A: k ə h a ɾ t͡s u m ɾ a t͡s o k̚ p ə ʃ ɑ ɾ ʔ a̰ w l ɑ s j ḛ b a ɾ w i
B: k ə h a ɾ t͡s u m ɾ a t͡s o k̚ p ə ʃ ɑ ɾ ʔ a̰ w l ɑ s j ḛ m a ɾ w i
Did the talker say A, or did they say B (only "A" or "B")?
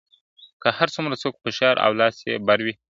A